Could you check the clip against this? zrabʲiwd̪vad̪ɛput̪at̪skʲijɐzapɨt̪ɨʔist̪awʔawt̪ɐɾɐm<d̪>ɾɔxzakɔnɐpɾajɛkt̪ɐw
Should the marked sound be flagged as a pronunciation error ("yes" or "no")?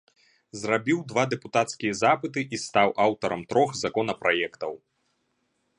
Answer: yes